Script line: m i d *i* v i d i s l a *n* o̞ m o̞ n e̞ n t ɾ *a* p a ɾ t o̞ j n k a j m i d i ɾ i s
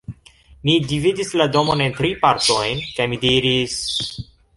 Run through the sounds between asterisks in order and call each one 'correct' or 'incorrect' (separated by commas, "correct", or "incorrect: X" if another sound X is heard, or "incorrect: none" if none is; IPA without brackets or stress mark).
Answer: correct, incorrect: d, incorrect: i